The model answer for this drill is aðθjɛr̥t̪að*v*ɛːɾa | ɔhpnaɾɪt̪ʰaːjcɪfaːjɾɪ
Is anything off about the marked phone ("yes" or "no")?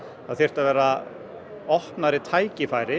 no